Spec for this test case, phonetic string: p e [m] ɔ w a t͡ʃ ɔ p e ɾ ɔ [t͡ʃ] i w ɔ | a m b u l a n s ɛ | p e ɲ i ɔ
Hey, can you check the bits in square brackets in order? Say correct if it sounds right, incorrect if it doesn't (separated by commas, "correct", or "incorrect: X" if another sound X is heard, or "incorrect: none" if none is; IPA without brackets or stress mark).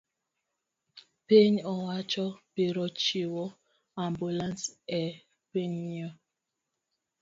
incorrect: ɲ, correct